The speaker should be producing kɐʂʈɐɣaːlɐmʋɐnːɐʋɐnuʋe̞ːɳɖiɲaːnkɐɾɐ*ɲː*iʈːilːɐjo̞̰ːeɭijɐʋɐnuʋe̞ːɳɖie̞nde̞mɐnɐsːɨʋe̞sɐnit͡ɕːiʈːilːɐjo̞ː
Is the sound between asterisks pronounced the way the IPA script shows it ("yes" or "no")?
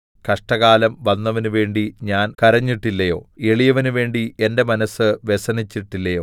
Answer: yes